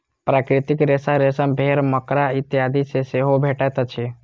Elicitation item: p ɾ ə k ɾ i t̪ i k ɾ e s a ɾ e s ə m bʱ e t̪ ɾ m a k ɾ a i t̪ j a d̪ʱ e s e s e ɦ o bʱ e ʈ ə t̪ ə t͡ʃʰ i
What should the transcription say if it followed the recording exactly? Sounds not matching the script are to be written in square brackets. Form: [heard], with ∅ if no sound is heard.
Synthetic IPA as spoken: p ɾ [a] k ɾ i t̪ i k ɾ e s a ɾ e s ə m bʱ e [∅] ɾ m [ə] k ɾ a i t̪ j a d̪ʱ [i] s e s e ɦ o bʱ e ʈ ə t̪ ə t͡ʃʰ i